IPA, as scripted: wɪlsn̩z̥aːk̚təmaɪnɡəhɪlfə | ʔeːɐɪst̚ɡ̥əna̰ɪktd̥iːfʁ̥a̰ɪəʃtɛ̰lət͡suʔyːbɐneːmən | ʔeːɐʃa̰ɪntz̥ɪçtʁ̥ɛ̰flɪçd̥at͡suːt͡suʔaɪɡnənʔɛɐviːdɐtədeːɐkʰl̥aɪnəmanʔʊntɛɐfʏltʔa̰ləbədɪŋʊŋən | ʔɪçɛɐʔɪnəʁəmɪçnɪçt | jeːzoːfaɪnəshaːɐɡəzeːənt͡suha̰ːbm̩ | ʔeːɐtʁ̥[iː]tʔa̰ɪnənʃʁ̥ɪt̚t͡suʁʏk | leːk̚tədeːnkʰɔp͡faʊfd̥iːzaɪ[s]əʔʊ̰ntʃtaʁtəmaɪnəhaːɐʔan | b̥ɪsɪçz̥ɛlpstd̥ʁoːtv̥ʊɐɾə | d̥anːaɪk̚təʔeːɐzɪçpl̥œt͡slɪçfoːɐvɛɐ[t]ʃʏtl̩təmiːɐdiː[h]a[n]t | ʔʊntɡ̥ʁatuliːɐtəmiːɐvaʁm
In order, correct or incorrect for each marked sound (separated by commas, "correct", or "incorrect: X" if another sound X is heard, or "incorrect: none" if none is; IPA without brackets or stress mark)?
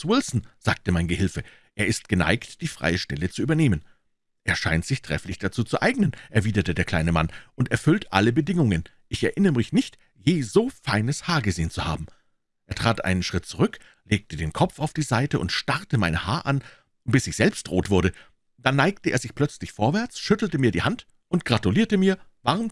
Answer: incorrect: aː, incorrect: t, incorrect: t͡s, correct, correct